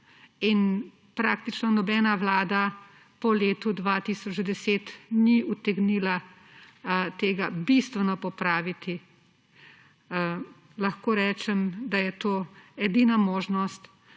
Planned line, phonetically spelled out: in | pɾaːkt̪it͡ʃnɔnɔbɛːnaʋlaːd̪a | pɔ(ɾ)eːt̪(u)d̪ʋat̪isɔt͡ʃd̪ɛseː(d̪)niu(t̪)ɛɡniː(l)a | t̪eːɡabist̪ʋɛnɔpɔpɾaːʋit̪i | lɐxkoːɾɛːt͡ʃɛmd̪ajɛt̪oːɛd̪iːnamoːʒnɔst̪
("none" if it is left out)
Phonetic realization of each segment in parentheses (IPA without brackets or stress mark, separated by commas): l, u, t̪, t̪, l